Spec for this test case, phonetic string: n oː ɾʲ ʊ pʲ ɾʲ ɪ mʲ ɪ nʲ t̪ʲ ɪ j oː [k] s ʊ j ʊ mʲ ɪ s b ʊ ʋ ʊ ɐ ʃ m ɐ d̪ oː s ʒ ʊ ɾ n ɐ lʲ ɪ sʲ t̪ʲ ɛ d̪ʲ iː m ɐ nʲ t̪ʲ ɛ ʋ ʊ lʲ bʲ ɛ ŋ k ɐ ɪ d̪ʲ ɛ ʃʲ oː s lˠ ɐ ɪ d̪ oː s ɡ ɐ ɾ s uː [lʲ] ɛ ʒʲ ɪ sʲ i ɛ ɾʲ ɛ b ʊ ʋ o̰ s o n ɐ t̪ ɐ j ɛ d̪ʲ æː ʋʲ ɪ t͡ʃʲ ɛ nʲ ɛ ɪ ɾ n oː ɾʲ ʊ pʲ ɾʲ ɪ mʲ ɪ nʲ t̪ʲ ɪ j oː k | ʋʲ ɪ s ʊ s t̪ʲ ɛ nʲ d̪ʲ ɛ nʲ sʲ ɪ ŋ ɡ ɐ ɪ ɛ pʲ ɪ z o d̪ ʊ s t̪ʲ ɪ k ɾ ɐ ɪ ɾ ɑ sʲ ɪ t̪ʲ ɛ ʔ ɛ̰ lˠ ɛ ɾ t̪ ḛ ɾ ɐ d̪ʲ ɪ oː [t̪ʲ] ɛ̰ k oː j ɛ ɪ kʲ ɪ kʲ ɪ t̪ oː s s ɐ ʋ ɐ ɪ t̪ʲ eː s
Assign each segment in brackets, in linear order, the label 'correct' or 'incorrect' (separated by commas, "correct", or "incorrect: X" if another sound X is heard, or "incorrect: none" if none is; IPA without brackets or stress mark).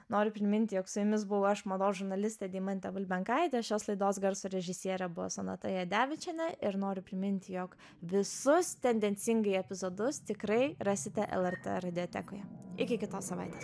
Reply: correct, incorrect: ɾʲ, correct